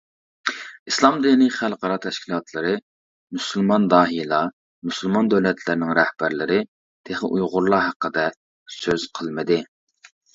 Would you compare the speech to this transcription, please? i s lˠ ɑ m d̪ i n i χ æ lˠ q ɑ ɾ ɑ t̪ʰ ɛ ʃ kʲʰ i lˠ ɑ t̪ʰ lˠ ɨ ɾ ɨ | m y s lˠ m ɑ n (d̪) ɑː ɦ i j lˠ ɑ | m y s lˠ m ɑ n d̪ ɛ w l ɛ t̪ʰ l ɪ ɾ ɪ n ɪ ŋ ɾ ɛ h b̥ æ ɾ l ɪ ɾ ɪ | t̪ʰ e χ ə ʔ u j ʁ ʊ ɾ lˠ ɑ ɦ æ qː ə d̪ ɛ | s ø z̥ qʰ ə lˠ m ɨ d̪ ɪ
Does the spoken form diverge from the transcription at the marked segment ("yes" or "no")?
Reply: no